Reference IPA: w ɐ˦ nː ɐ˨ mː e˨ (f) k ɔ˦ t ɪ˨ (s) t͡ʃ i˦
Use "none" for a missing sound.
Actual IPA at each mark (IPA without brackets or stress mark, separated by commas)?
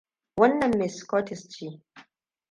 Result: s, s